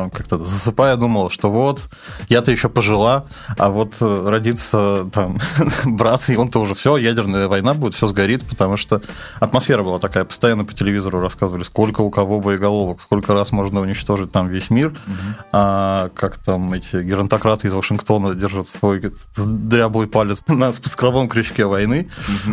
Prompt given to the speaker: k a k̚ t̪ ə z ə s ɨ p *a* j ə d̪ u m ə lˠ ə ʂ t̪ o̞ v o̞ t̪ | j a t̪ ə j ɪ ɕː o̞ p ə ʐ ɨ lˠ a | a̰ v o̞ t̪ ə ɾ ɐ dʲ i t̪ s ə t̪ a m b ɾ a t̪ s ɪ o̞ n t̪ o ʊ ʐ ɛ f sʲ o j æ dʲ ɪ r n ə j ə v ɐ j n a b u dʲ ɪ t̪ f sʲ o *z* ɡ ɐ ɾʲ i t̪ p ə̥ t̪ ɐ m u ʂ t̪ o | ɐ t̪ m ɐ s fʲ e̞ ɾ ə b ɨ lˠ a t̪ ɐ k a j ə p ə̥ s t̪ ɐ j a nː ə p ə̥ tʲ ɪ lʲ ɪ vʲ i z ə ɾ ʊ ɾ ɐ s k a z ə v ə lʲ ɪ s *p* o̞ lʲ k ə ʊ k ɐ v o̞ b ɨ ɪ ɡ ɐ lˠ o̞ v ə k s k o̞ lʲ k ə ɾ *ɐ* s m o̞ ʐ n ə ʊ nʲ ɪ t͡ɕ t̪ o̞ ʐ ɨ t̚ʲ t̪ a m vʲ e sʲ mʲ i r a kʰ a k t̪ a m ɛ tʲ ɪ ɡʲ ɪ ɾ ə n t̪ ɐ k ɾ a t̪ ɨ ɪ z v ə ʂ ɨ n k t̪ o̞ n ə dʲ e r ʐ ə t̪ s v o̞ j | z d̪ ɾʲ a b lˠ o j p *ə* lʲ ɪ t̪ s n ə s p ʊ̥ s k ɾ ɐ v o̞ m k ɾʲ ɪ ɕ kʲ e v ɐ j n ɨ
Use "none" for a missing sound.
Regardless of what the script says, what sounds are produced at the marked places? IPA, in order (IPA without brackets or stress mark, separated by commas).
a, z, k, a, a